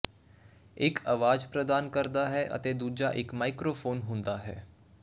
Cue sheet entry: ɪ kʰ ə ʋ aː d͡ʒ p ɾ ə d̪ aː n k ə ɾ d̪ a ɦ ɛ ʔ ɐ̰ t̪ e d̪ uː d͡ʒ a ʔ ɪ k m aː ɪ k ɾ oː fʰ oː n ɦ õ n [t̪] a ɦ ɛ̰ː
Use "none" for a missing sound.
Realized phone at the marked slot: d̪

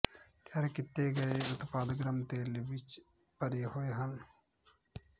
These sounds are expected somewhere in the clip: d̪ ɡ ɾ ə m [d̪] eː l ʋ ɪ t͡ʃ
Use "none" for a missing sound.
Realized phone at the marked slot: t̪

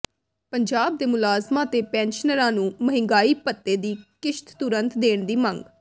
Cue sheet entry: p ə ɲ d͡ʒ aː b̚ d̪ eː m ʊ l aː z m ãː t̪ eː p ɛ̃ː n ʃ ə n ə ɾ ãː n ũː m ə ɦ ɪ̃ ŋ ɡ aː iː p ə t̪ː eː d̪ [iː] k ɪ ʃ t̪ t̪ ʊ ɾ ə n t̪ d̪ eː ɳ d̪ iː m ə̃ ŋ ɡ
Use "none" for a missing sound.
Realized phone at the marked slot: iː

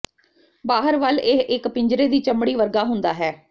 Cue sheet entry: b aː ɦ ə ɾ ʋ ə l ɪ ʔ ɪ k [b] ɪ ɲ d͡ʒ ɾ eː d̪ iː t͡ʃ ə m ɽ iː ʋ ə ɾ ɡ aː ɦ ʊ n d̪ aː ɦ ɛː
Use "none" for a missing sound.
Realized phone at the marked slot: p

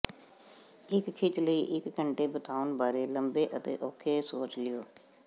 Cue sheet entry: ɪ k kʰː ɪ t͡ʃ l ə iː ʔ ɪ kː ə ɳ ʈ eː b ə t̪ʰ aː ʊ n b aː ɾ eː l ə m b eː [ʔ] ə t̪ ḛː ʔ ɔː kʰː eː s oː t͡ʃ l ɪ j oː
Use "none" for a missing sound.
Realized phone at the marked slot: ʔ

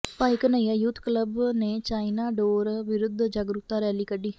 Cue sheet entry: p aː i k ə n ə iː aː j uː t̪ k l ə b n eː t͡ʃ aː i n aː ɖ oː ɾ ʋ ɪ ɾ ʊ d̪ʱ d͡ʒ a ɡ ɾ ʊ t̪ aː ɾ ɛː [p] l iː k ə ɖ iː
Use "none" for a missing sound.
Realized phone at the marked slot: none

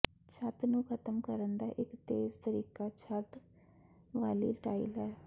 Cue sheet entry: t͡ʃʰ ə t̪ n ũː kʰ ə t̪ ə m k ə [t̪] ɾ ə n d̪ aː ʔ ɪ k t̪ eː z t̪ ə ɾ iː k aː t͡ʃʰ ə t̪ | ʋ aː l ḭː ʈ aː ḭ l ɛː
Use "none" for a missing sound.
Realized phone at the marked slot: none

